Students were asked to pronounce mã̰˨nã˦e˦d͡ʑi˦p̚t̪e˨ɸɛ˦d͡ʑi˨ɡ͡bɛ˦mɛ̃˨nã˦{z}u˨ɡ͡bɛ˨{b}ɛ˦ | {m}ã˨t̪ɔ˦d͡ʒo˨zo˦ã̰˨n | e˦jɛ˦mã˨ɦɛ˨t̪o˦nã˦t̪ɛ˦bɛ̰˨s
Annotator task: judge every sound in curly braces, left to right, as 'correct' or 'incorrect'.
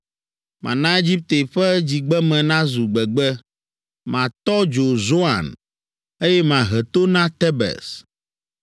correct, incorrect: ɡ͡b, correct

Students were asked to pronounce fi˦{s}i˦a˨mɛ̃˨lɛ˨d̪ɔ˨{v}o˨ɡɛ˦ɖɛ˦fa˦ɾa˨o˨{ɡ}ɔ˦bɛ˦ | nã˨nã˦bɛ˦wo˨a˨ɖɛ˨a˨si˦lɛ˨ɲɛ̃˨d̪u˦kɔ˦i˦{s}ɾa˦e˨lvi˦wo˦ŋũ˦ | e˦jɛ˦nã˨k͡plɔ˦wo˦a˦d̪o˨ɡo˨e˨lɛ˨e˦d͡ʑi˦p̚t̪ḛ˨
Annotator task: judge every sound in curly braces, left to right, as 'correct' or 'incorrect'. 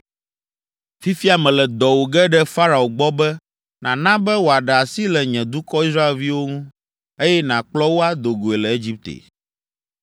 incorrect: f, incorrect: w, incorrect: ɡ͡b, correct

